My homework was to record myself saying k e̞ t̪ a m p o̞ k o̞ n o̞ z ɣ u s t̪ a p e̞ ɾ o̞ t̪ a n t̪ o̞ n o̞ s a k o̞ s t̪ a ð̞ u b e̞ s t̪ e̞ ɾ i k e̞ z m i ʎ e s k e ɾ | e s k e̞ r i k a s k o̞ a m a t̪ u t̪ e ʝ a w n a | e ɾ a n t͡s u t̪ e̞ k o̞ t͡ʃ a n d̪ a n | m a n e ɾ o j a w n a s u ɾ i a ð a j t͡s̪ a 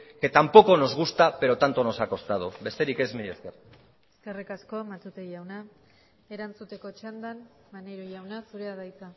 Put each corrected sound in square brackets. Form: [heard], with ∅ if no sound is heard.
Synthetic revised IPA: k e̞ t̪ a m p o̞ k o̞ n o̞ z ɣ u s t̪ a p e̞ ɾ o̞ t̪ a n t̪ o̞ n o̞ s a k o̞ s t̪ a ð̞ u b e̞ s t̪ e̞ ɾ i k e̞ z m i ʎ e s k e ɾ | e s k e̞ r i k a s k o̞ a m a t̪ u t̪ e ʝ a w n a | e ɾ a n t͡s u t̪ e̞ k o̞ t͡ʃ a n d̪ a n | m a n e ɾ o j a w n a s u ɾ [e] a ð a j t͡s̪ a